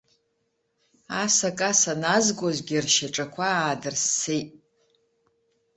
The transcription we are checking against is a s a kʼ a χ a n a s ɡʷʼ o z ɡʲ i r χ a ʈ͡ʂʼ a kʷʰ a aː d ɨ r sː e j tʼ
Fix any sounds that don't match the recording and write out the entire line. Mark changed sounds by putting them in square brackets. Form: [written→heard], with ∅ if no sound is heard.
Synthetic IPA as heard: a s a kʼ a [χ→s] a n a [s→z] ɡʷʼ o z ɡʲ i r [χ→ʃ] a ʈ͡ʂʼ a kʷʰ a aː d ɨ r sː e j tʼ